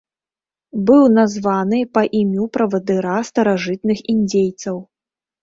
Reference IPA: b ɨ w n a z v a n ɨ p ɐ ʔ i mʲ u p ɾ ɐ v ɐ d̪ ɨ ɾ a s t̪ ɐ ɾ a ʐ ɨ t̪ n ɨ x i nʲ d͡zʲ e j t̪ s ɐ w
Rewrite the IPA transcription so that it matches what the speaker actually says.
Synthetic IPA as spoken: b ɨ w n a z v a n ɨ p ɐ ʔ i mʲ u p ɾ ɐ v ɐ d̪ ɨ ɾ a s t̪ ɐ ɾ a ʐ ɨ t̪ n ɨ x i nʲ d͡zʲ e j t̪ s ɐ w